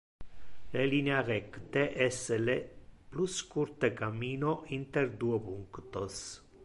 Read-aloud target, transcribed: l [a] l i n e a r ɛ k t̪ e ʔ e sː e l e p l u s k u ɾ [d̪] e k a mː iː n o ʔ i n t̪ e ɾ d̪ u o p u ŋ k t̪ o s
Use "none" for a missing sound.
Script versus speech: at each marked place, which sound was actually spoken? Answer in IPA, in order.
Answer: e, t̪

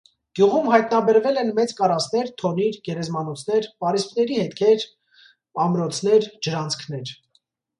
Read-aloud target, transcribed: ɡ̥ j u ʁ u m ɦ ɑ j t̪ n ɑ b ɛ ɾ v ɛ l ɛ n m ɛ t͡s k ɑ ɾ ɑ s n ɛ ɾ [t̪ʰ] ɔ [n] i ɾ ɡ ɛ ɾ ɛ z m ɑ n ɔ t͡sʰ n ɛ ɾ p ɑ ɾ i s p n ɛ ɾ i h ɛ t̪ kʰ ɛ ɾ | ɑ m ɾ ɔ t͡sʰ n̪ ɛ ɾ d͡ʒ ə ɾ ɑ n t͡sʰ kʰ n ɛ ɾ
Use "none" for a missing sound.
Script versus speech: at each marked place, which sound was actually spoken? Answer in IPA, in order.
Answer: t̪ʰ, n

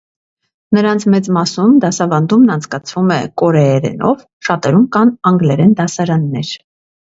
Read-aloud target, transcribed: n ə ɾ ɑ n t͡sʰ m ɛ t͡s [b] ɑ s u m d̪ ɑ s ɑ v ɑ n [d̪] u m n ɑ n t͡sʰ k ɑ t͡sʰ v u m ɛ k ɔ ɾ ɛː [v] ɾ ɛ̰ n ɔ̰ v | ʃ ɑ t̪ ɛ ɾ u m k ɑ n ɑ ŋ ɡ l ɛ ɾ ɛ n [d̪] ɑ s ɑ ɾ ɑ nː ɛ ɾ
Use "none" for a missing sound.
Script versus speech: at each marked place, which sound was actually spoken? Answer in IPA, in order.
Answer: m, d̪, none, d̪

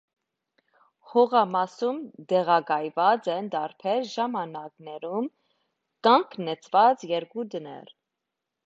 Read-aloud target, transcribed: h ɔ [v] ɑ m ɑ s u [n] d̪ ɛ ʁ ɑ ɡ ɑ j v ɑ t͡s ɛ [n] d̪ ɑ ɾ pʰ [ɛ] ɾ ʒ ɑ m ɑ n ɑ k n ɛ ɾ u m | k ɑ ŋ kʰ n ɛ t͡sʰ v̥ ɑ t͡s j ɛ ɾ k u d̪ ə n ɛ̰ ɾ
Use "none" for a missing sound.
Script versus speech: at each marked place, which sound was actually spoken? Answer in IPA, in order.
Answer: ʁ, m, n, ɛ

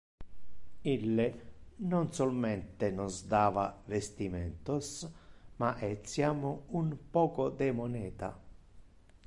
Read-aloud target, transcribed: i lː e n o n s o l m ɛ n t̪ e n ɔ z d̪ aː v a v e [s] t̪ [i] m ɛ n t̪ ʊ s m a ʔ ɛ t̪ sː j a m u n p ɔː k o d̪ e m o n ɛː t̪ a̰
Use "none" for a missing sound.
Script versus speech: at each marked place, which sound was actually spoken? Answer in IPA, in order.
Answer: s, i

